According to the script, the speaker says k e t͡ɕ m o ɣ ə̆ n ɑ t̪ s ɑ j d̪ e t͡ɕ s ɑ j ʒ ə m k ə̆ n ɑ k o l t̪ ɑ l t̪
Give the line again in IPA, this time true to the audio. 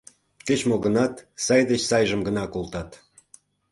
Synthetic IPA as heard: k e t͡ɕ m o ɣ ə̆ n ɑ t̪ s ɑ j d̪ e t͡ɕ s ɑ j ʒ ə m ɡ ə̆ n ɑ k o l t̪ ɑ t̪